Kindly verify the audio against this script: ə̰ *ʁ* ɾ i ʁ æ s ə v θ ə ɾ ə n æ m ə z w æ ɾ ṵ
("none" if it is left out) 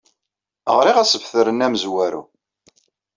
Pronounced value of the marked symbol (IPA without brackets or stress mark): ʁ